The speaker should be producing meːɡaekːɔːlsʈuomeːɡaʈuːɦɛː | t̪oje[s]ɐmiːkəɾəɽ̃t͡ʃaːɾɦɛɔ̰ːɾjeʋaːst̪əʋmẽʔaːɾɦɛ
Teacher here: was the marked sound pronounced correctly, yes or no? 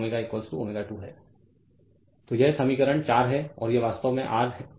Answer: yes